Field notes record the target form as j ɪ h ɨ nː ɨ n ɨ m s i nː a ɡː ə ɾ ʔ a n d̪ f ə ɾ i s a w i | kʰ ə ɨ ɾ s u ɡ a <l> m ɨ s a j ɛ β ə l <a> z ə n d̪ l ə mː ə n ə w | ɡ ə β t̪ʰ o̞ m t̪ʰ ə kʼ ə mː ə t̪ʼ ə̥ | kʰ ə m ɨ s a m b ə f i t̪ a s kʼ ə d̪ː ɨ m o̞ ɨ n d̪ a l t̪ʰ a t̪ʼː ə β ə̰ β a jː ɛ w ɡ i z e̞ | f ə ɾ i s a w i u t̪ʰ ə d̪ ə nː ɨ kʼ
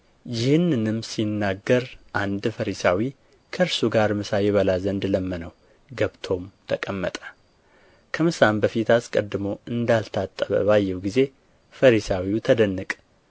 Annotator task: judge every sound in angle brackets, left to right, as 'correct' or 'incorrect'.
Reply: incorrect, correct

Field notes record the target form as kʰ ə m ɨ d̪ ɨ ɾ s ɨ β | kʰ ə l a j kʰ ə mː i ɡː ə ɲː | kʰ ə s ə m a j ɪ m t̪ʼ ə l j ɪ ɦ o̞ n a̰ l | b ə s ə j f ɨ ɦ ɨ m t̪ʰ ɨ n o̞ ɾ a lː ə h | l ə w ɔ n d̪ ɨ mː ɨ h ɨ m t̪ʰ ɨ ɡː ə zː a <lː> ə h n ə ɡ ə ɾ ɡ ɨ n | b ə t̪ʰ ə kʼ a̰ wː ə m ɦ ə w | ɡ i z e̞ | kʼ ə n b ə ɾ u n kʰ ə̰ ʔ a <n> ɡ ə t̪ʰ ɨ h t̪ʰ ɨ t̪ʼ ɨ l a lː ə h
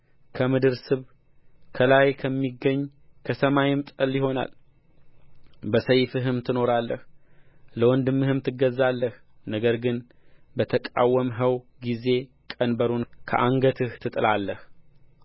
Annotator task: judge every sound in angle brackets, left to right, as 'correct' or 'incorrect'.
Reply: correct, incorrect

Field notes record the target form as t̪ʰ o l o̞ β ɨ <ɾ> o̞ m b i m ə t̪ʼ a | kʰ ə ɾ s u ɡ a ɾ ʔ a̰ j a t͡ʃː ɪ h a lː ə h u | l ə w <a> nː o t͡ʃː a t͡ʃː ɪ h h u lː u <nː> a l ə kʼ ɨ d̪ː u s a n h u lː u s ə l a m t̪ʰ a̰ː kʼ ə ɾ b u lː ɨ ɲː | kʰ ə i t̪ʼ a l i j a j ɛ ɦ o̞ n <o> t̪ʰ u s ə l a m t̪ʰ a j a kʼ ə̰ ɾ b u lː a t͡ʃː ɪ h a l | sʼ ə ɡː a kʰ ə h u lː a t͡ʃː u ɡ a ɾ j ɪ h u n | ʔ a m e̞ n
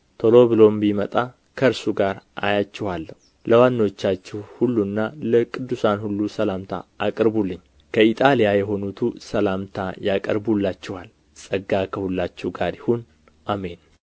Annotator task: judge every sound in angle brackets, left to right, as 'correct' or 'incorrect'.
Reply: incorrect, correct, correct, incorrect

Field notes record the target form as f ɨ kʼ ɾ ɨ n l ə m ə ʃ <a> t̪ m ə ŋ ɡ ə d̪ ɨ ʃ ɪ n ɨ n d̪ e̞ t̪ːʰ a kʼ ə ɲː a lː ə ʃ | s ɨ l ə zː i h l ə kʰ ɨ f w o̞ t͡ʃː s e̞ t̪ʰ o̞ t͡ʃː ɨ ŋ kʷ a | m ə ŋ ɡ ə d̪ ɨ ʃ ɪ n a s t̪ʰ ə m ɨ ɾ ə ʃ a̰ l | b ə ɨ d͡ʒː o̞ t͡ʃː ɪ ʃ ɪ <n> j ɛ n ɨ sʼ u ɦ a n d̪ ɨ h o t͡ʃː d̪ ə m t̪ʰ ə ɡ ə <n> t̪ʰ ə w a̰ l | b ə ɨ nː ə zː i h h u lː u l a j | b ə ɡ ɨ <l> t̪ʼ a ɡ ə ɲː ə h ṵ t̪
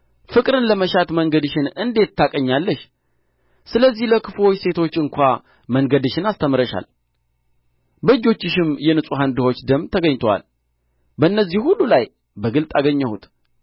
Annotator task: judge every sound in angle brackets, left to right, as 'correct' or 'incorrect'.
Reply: correct, incorrect, incorrect, correct

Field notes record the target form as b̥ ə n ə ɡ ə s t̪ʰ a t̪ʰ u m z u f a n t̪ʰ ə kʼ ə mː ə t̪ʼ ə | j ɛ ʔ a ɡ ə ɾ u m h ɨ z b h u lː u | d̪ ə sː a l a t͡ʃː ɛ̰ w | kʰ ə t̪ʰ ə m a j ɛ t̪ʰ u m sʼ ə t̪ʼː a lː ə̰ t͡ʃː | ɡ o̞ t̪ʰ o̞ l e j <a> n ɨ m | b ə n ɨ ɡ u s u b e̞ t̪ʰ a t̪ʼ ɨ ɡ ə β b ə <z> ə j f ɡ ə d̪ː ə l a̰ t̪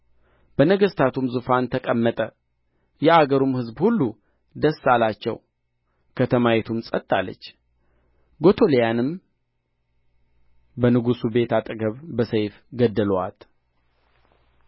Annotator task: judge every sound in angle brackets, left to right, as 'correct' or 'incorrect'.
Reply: correct, incorrect

